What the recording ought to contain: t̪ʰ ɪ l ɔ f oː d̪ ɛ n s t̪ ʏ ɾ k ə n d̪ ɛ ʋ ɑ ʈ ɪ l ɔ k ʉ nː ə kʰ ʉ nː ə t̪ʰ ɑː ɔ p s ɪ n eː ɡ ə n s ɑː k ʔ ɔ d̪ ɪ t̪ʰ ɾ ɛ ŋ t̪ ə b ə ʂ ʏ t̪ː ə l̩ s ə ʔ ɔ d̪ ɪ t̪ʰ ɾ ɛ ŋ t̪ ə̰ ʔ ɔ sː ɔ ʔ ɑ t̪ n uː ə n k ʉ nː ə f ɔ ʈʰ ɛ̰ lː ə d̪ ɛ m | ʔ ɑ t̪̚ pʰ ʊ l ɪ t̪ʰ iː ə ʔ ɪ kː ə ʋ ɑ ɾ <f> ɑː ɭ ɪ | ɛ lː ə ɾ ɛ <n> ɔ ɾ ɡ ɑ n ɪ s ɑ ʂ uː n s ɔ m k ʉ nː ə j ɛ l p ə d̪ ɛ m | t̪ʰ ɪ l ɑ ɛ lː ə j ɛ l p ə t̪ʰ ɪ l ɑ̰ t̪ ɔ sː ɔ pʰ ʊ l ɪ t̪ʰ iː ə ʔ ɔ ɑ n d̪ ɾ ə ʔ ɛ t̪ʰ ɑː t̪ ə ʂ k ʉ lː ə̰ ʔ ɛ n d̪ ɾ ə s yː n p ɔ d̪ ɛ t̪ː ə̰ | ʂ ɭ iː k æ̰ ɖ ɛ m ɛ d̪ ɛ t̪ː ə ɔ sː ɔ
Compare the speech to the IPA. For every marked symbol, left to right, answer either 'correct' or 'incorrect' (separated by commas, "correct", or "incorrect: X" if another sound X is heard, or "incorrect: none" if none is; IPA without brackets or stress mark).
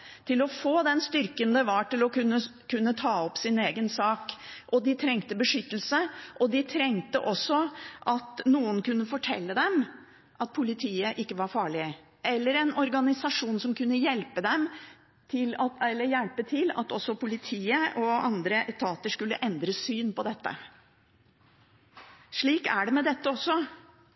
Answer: correct, correct